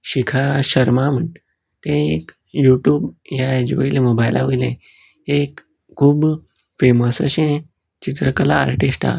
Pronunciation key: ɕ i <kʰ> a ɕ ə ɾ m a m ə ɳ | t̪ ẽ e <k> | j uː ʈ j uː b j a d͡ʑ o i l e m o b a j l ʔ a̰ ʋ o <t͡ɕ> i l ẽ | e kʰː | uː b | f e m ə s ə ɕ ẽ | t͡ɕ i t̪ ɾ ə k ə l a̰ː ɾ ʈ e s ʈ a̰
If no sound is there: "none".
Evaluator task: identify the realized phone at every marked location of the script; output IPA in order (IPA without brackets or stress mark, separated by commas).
kʰ, k, none